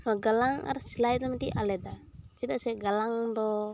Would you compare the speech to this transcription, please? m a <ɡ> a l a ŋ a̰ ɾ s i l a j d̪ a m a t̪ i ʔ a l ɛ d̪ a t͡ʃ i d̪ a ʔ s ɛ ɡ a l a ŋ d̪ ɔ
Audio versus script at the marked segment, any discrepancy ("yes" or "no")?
no